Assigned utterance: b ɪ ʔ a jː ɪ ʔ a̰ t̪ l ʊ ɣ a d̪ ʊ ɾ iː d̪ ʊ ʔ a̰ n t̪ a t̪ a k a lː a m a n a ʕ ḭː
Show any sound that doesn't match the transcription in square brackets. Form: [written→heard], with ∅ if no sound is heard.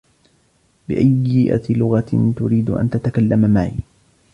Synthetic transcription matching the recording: b ɪ ʔ a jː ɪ ʔ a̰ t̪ l ʊ ɣ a [d̪→t̪] ʊ ɾ iː d̪ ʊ ʔ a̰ n t̪ a t̪ a k a lː a m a [n→m] a ʕ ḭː